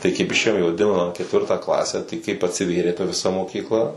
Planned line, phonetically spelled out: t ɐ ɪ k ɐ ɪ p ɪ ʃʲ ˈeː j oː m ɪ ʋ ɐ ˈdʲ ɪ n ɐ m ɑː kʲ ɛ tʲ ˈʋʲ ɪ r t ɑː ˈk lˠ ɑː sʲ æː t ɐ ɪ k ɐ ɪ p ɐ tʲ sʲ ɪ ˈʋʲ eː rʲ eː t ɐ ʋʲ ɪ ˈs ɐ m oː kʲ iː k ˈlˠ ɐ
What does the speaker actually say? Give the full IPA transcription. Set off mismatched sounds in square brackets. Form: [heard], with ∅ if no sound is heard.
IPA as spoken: t ɐ ɪ k ɐ ɪ p ɪ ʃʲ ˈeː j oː m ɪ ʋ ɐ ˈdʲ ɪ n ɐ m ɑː kʲ ɛ tʲ ˈʋʲ ɪ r t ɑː ˈk lˠ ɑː sʲ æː t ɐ ɪ k ɐ ɪ p ɐ tʲ sʲ ɪ ˈʋʲ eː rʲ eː t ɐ ʋʲ ɪ ˈs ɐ m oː kʲ iː k ˈlˠ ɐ